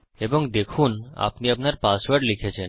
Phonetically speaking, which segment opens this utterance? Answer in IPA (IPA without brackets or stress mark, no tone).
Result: e